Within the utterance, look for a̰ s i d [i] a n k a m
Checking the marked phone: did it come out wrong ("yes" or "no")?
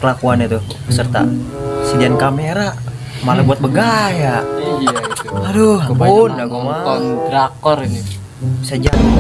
no